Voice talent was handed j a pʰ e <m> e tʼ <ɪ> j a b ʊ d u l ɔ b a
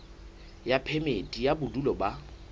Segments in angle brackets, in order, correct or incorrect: correct, incorrect

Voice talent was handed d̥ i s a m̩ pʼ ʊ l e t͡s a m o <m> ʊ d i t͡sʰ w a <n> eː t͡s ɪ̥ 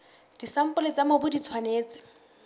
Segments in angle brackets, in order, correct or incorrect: incorrect, correct

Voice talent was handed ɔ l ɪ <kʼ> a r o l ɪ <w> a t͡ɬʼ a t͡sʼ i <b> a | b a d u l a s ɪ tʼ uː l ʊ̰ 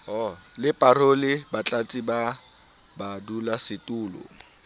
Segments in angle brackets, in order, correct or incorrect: incorrect, incorrect, correct

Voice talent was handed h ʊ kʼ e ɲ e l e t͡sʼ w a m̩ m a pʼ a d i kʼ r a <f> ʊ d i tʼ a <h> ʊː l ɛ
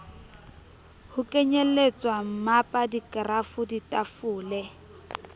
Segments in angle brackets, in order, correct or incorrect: correct, incorrect

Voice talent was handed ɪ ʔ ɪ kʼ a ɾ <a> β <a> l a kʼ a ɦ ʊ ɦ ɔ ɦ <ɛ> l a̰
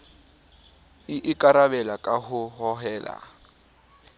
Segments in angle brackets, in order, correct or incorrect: correct, incorrect, incorrect

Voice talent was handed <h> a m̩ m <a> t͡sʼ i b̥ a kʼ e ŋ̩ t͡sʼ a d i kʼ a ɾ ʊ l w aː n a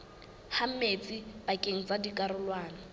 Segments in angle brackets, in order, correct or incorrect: correct, incorrect

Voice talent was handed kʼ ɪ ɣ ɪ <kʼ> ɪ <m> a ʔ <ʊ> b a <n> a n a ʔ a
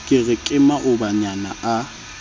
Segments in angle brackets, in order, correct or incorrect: correct, correct, correct, incorrect

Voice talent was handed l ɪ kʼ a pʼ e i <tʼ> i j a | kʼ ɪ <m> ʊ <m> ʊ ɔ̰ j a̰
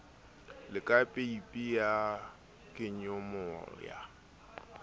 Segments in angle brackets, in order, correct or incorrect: incorrect, incorrect, correct

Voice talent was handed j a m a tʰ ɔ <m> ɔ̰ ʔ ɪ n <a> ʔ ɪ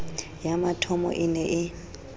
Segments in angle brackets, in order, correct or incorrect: correct, incorrect

